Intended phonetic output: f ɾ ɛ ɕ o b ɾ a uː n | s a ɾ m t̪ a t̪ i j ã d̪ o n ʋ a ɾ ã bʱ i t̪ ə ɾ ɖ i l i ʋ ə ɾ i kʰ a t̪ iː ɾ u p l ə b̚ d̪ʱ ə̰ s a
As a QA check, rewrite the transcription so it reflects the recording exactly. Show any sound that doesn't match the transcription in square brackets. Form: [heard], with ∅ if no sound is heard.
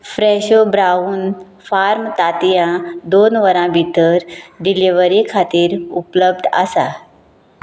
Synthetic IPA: f ɾ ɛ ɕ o b ɾ a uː n | [f] a ɾ m t̪ a t̪ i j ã d̪ o n ʋ [ə] ɾ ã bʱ i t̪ ə ɾ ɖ i l i ʋ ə ɾ i kʰ a t̪ iː ɾ u p l ə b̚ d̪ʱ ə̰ s a